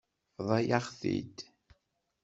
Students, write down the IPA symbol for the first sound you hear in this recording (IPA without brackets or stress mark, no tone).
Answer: ðˤ